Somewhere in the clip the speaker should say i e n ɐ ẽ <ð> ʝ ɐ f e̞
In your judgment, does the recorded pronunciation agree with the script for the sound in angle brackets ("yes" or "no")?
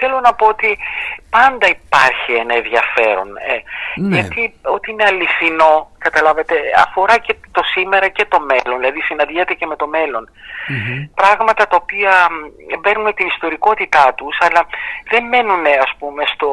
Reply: yes